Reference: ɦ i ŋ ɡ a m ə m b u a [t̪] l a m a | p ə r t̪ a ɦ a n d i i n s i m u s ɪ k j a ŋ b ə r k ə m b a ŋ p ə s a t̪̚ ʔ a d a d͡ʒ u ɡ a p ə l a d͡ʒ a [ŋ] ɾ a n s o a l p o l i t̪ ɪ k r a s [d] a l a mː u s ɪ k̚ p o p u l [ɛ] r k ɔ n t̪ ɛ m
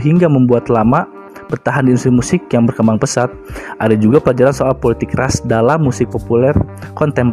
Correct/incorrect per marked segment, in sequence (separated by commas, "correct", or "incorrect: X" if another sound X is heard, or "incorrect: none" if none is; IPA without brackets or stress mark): correct, incorrect: none, correct, correct